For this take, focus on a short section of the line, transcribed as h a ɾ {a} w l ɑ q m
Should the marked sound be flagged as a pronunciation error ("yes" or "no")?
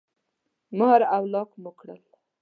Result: no